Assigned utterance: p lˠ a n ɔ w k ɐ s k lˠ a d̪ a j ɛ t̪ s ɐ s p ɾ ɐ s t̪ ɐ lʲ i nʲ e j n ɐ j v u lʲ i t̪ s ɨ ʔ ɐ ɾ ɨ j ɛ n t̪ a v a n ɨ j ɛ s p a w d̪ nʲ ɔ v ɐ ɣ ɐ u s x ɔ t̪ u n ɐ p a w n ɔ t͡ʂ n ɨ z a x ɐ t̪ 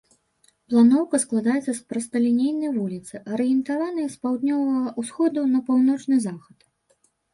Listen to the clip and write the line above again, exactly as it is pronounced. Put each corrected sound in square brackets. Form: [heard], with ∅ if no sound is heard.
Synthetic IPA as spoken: p lˠ a n ɔ w k ɐ s k lˠ a d̪ a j ɛ t̪ s ɐ s p ɾ ɐ s t̪ ɐ lʲ i nʲ e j n ɐ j v u lʲ i t̪ s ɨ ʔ ɐ ɾ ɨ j ɛ n t̪ a v a n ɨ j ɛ s p a w d̪ nʲ ɔ v ɐ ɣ ɐ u s x ɔ [d̪] u n ɐ p a w n ɔ t͡ʂ n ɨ z a x ɐ t̪